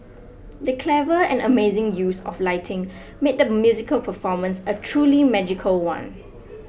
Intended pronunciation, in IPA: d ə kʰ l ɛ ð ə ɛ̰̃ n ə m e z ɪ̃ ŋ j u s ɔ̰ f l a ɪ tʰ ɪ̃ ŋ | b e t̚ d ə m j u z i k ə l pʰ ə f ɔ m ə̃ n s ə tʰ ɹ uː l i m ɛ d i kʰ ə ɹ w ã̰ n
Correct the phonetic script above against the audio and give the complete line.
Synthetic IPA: d ə kʰ l ɛ v ə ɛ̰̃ n ə m e z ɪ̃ ŋ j u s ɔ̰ f l a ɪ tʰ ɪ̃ ŋ | m e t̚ d ə m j u z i k ə l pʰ ə f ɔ m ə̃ n s ə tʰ ɹ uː l i m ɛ d͡ʒ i kʰ ə l w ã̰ n